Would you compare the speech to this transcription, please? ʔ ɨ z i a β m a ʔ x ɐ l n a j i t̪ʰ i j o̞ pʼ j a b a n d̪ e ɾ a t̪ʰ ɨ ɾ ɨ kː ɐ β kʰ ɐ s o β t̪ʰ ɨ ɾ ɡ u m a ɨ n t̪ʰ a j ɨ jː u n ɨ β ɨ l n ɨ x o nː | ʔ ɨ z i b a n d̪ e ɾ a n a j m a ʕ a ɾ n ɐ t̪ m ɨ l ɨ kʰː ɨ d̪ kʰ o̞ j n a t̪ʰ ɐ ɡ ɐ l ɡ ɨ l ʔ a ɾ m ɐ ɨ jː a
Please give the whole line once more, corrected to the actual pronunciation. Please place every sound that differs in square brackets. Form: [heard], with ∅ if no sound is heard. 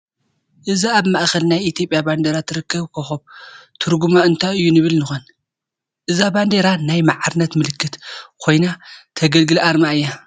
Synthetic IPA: ʔ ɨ z i a β m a ʔ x ɐ l n a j i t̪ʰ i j o̞ pʼ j a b a n d̪ e ɾ a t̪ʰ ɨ ɾ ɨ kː ɐ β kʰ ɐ [x] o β t̪ʰ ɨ ɾ ɡ u m a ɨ n t̪ʰ a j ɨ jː u n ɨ β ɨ l n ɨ x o [n] | ʔ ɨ z [a] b a n d̪ e ɾ a n a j m a ʕ a ɾ n ɐ t̪ m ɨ l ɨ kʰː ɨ [t̪] kʰ o̞ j n a t̪ʰ ɐ ɡ ɐ l ɡ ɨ l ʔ a ɾ m [a] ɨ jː a